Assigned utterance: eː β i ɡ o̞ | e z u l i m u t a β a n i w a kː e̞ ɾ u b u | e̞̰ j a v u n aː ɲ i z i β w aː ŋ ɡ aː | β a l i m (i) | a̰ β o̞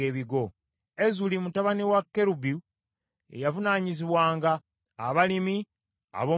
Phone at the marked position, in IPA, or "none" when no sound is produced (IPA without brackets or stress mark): i